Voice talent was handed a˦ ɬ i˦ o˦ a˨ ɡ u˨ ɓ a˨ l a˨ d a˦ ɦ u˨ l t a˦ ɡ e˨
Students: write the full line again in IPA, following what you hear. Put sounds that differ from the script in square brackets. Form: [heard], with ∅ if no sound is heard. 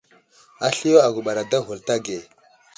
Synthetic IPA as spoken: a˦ ɬ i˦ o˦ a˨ ɡ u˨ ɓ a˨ [ɾ] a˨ d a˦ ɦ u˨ l t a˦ ɡ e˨